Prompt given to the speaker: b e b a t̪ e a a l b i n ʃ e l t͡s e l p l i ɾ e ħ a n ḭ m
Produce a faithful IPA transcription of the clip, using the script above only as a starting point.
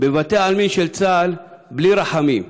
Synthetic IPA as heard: b e v a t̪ e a a l m i n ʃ e l t͡s a l b l i ɾ a ħ a m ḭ m